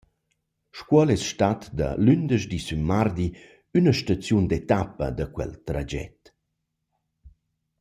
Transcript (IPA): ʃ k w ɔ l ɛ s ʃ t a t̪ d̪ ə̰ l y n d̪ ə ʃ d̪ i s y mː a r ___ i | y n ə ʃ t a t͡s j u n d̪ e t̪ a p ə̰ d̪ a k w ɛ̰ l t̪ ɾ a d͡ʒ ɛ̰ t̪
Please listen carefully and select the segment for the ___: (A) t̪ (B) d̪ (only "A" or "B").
B